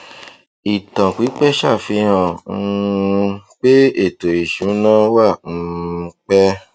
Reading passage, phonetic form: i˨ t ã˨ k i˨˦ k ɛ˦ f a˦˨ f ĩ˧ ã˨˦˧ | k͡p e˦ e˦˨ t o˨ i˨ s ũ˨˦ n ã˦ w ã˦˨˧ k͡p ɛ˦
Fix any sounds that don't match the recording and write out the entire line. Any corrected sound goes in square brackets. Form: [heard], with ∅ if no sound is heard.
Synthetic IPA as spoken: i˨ t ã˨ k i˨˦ [k͡p] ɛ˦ [ʃ] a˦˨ f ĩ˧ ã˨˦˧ | k͡p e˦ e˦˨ t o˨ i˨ [ʃ] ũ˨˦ n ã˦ w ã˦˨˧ k͡p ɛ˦